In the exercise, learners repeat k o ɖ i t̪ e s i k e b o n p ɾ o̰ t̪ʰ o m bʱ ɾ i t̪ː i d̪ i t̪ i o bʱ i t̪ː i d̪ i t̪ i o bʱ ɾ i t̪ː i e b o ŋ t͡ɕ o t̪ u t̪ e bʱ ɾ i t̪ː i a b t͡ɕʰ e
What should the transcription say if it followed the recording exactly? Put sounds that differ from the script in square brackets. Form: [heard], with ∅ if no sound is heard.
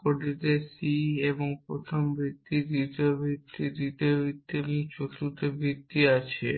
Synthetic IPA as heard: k o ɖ i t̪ e s i [∅] e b o [ŋ] p ɾ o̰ t̪ʰ o m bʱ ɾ i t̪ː i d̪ i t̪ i o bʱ i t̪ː i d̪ i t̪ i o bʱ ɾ i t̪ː i e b o ŋ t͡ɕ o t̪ u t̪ e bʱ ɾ i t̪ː i a [∅] t͡ɕʰ e